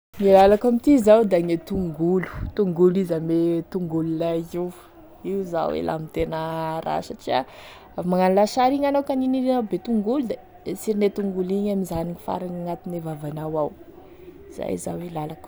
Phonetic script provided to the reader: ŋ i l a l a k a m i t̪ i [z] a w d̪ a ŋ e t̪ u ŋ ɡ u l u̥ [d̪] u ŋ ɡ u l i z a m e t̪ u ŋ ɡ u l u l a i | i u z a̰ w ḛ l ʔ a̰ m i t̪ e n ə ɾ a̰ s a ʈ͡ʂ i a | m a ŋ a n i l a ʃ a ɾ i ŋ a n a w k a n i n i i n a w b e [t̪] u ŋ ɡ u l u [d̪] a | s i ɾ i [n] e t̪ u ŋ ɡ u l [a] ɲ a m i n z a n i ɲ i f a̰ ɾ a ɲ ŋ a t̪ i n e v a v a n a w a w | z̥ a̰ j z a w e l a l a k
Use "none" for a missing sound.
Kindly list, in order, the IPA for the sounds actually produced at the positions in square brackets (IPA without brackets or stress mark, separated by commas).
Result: z, t̪, t̪, d̪, n, i